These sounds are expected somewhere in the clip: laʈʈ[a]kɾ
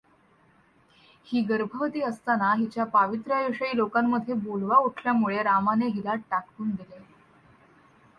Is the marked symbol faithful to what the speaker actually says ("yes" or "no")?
yes